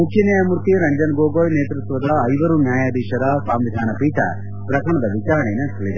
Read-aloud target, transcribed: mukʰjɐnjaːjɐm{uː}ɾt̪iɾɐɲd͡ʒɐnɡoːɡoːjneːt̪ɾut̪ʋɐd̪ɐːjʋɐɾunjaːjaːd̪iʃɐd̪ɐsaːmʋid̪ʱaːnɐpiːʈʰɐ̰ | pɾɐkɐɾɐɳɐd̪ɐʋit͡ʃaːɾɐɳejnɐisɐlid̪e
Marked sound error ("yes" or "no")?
yes